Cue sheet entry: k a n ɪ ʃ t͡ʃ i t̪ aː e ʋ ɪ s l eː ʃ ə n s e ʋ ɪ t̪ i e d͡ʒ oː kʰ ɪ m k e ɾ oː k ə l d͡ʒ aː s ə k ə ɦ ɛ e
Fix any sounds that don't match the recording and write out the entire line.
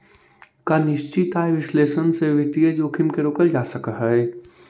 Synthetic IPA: k a n ɪ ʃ t͡ʃ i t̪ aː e ʋ ɪ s l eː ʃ ə n s e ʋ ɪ t̪ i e d͡ʒ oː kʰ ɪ m k e ɾ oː k ə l d͡ʒ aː s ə k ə ɦ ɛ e